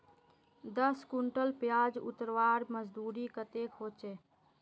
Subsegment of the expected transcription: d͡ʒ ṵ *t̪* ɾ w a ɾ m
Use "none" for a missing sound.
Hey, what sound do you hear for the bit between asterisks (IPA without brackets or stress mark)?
t̪